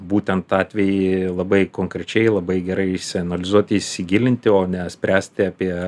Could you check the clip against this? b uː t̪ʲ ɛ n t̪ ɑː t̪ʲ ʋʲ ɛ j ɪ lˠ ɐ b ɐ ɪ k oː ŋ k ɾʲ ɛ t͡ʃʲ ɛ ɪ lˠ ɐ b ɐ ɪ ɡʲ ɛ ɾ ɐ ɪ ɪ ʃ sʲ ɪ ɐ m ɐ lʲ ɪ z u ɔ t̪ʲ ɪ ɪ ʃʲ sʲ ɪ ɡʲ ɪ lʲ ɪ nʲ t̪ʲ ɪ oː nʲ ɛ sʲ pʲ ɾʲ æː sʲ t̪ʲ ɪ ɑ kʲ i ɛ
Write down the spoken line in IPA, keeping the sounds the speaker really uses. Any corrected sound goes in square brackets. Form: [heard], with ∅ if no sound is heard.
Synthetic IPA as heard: b uː t̪ʲ ɛ n t̪ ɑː t̪ʲ ʋʲ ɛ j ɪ lˠ ɐ b ɐ ɪ k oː ŋ k ɾʲ ɛ t͡ʃʲ ɛ ɪ lˠ ɐ b ɐ ɪ ɡʲ ɛ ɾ ɐ ɪ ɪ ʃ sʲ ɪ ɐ [n] ɐ lʲ ɪ z u ɔ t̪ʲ ɪ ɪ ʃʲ sʲ ɪ ɡʲ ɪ lʲ ɪ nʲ t̪ʲ ɪ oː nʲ ɛ sʲ pʲ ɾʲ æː sʲ t̪ʲ ɪ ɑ [pʲ] i ɛ

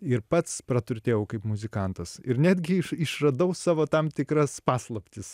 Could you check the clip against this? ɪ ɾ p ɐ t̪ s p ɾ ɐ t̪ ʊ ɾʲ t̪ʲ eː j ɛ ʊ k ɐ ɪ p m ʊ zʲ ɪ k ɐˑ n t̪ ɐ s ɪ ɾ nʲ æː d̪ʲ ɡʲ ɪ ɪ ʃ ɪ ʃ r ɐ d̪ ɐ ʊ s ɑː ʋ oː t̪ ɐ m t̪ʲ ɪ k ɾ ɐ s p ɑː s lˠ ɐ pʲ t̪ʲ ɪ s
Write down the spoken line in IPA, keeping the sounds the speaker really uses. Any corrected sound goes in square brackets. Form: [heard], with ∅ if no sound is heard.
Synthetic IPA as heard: ɪ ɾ p ɐ t̪ s p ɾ ɐ t̪ ʊ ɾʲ t̪ʲ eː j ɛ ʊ k ɐ ɪ p m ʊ zʲ ɪ k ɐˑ n t̪ ɐ s ɪ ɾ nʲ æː d̪ʲ ɡʲ ɪ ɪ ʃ ɪ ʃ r ɐ d̪ ɐ ʊ s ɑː ʋ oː t̪ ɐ m t̪ʲ ɪ k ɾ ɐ s p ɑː s lˠ ɐ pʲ t̪ʲ ɪ s

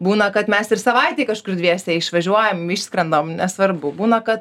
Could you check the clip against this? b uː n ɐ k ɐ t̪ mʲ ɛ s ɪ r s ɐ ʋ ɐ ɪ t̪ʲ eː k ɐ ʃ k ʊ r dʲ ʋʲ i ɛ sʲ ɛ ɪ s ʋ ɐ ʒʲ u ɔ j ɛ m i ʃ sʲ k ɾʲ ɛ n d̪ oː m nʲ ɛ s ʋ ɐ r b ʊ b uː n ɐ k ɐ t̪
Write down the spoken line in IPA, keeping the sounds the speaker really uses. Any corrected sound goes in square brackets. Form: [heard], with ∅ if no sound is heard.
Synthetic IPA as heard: b uː n ɐ k ɐ t̪ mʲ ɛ s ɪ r s ɐ ʋ ɐ ɪ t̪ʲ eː k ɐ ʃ k ʊ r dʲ ʋʲ i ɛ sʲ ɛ ɪ [ʃ] ʋ ɐ ʒʲ u ɔ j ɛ m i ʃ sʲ k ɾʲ ɛ n d̪ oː m nʲ ɛ s ʋ ɐ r b ʊ b uː n ɐ k ɐ t̪

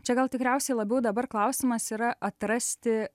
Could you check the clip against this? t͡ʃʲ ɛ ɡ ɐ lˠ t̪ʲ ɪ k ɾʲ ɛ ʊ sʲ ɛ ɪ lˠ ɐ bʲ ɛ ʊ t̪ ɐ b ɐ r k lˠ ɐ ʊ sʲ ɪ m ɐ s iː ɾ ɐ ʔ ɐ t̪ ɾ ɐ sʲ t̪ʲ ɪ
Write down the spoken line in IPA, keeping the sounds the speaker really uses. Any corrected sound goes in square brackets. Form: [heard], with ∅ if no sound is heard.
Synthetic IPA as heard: t͡ʃʲ ɛ ɡ ɐ lˠ t̪ʲ ɪ k ɾʲ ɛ ʊ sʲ ɛ ɪ lˠ ɐ bʲ ɛ ʊ [d̪] ɐ b ɐ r k lˠ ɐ ʊ sʲ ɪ m ɐ s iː ɾ ɐ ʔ ɐ t̪ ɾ ɐ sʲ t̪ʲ ɪ

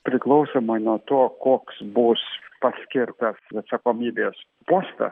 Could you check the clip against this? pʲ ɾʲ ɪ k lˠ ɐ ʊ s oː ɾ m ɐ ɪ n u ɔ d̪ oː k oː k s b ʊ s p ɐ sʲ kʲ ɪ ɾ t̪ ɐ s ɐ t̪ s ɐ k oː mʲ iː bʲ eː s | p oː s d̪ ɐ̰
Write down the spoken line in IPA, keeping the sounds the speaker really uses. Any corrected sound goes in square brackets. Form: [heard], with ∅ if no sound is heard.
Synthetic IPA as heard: pʲ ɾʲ ɪ k lˠ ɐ ʊ s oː [∅] m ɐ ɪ n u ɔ [t̪] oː k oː k s b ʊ s p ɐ sʲ kʲ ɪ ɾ t̪ ɐ s ɐ t̪ s ɐ k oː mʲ iː bʲ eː s | p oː s [t̪] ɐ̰

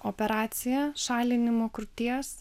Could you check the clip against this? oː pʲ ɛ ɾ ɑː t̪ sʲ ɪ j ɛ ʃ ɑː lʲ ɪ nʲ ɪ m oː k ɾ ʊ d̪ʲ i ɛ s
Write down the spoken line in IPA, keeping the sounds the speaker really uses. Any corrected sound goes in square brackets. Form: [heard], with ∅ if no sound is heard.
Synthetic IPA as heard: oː pʲ ɛ ɾ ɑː t̪ sʲ ɪ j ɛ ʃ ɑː lʲ ɪ nʲ ɪ m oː k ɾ ʊ [t̪ʲ] i ɛ s

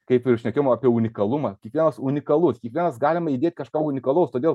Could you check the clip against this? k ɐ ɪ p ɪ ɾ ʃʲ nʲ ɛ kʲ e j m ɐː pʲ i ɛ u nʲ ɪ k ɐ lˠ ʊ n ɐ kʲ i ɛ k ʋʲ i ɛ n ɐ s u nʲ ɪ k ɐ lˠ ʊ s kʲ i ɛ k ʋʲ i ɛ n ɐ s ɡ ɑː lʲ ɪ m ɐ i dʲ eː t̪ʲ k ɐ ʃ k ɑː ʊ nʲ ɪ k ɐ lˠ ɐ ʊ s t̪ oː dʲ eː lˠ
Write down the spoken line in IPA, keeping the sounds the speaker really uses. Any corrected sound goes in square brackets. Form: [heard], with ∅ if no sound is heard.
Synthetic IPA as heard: k ɐ ɪ p ɪ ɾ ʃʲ nʲ ɛ kʲ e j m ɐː pʲ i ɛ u nʲ ɪ k ɐ lˠ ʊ [m] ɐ kʲ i ɛ k ʋʲ i ɛ n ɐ s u nʲ ɪ k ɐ lˠ ʊ s kʲ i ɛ k ʋʲ i ɛ n ɐ s ɡ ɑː lʲ ɪ m ɐ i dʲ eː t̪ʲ k ɐ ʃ k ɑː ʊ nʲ ɪ k ɐ lˠ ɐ ʊ s t̪ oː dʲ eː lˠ

